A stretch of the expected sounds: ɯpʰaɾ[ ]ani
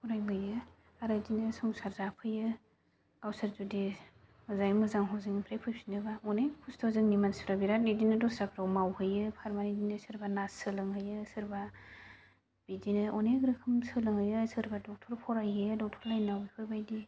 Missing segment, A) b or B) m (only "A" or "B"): B